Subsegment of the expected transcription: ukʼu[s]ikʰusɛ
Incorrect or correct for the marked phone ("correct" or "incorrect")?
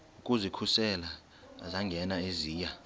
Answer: incorrect